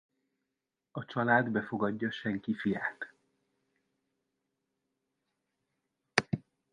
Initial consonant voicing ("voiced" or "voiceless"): voiceless